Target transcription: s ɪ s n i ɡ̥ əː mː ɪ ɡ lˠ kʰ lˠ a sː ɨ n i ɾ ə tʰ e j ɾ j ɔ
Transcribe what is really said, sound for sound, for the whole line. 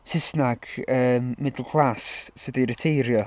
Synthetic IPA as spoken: s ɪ s n a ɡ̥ əː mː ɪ d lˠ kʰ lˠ a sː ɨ d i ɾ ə tʰ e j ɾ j ɔ